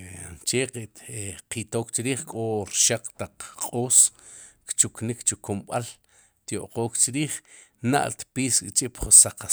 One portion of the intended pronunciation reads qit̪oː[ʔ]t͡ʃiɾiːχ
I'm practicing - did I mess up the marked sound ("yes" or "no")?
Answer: yes